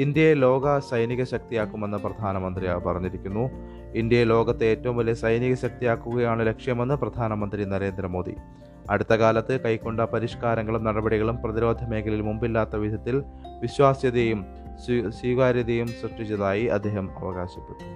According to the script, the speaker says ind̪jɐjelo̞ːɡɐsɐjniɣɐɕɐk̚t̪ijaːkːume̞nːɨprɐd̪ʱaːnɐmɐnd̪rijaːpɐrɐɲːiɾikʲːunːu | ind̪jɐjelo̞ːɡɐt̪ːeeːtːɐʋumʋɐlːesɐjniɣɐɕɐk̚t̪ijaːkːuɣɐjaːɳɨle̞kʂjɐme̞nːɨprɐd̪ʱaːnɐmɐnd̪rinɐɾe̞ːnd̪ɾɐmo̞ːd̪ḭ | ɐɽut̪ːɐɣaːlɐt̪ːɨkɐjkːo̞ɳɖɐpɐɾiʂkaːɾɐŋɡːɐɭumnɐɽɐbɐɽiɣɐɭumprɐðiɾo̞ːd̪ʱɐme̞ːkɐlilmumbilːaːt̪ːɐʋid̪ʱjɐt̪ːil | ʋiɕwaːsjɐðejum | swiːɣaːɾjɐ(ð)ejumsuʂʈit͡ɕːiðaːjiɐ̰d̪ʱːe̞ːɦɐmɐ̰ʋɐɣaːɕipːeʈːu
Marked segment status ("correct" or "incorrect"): correct